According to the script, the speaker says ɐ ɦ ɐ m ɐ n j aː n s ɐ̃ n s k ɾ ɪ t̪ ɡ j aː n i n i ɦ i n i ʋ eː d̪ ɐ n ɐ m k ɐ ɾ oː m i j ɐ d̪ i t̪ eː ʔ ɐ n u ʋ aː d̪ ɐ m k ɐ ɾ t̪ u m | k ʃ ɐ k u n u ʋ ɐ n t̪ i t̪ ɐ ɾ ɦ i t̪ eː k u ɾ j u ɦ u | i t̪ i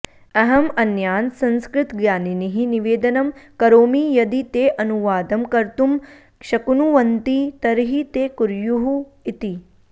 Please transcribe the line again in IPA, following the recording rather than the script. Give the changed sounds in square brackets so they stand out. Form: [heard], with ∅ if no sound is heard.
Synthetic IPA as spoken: ɐ ɦ ɐ m ɐ n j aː n s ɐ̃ n s k ɾ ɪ t̪ ɡ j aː n i n i ɦ i n i ʋ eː d̪ ɐ n ɐ m k ɐ ɾ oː m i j ɐ d̪ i t̪ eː ʔ ɐ n u ʋ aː d̪ ɐ m k ɐ ɾ t̪ u m | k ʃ ɐ k u n u ʋ ɐ n t̪ i t̪ ɐ ɾ ɦ i t̪ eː k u ɾ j u ɦ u | i t̪ i